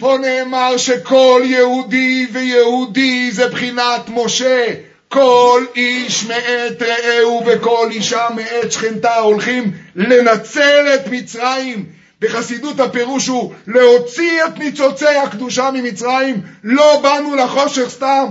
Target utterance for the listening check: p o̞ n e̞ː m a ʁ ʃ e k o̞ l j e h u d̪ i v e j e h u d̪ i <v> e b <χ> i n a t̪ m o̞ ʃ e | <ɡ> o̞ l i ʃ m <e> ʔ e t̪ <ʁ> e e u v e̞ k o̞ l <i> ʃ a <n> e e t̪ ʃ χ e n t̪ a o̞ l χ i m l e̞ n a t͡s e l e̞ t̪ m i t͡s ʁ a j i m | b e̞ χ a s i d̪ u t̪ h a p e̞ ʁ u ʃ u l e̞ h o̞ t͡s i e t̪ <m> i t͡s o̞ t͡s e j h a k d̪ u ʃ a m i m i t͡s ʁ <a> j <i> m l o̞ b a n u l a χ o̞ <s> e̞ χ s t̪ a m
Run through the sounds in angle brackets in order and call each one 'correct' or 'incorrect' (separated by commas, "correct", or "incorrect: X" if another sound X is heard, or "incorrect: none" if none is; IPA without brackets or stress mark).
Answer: incorrect: z, correct, incorrect: k, correct, correct, correct, incorrect: m, incorrect: n, correct, correct, incorrect: ʃ